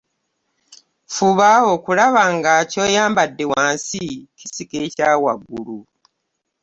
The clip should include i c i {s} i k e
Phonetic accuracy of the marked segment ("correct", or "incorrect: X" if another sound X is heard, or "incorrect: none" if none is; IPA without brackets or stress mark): correct